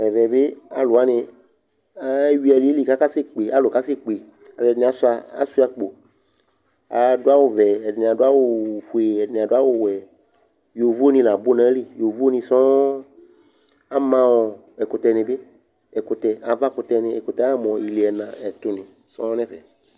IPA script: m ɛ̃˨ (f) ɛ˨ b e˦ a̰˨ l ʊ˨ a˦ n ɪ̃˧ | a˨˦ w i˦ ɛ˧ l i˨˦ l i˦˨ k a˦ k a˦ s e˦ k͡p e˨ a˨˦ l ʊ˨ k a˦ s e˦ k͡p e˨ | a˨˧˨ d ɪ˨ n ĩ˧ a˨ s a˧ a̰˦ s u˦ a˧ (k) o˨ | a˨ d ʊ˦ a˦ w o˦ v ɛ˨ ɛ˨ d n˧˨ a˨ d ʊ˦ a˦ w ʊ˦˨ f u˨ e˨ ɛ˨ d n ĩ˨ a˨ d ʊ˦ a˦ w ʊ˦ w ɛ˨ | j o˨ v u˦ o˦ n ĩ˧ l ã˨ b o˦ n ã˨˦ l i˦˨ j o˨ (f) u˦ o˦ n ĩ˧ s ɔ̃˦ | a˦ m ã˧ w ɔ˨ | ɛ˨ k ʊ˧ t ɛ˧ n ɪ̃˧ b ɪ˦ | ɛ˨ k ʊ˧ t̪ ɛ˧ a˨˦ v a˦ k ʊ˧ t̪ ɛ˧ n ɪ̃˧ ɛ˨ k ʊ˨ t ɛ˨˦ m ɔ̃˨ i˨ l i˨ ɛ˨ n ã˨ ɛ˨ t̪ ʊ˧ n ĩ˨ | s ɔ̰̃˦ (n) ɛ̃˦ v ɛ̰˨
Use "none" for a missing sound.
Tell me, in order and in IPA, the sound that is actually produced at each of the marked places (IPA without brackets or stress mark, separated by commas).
v, k͡p, v, n